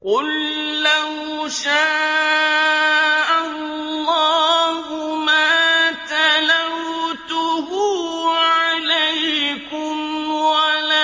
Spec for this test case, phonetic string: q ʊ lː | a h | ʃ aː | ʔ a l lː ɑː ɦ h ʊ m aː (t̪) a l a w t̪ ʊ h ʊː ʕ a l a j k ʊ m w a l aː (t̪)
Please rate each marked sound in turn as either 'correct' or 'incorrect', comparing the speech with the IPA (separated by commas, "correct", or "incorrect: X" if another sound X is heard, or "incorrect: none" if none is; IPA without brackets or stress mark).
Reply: correct, incorrect: none